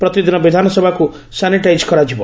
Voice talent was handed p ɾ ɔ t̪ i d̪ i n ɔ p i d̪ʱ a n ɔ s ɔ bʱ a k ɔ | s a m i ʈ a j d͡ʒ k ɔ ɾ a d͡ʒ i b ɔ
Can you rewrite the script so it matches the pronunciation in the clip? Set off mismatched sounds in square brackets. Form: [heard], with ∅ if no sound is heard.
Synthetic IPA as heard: p ɾ ɔ t̪ i d̪ i n ɔ [b] i d̪ʱ a n ɔ s ɔ bʱ a k [u] | s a [n] i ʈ a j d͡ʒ k ɔ ɾ a d͡ʒ i b ɔ